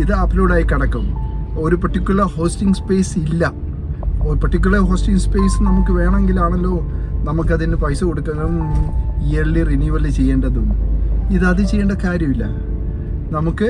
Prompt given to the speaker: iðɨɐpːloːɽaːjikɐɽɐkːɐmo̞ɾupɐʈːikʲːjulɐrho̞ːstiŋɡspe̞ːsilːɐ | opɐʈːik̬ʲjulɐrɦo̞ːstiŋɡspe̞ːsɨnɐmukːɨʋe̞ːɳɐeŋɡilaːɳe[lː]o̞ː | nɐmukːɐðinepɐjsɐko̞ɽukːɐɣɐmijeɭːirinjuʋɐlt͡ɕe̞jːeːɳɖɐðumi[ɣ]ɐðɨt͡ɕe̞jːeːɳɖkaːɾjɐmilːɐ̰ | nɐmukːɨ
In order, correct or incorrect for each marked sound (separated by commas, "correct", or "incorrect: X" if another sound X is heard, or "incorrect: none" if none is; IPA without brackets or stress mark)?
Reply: correct, incorrect: ð